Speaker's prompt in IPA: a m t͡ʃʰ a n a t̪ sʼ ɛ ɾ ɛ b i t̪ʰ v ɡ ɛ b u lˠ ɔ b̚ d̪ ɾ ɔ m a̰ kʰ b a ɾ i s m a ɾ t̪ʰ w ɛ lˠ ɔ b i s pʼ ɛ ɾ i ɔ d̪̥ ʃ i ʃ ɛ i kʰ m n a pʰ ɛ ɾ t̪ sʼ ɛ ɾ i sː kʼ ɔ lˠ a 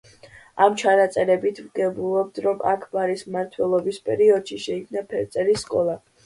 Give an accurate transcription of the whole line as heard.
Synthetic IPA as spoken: a m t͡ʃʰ a n a t̪ sʼ ɛ ɾ ɛ b i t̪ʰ v ɡ ɛ b u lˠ ɔ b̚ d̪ ɾ ɔ m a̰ kʰ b a ɾ i s m a ɾ t̪ʰ w ɛ lˠ ɔ b i s pʼ ɛ ɾ i ɔ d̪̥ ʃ i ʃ ɛ i kʰ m n a pʰ ɛ ɾ t̪ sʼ ɛ ɾ i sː kʼ ɔ lˠ a